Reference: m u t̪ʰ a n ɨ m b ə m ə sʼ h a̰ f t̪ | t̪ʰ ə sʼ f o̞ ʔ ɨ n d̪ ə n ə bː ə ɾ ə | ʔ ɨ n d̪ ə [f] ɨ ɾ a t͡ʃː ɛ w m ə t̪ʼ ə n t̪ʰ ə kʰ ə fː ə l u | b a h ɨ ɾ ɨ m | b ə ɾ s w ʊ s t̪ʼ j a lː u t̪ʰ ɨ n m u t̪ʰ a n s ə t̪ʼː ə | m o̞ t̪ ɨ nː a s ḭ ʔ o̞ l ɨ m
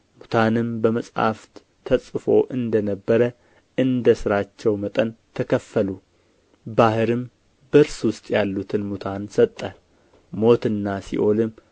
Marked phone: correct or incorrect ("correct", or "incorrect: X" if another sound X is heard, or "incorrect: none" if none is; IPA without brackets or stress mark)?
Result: incorrect: s